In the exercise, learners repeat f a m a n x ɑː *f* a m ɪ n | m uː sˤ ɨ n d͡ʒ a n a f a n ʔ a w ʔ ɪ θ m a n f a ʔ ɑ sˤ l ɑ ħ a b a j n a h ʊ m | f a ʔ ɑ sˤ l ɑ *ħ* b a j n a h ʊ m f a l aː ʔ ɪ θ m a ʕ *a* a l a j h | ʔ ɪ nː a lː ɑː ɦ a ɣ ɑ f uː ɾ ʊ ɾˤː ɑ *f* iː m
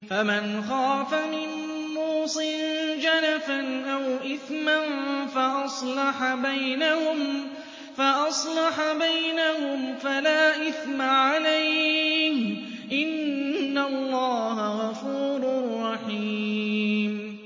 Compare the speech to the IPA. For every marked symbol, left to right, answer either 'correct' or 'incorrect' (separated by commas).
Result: correct, correct, correct, incorrect